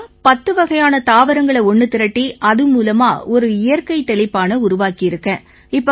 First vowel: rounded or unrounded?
unrounded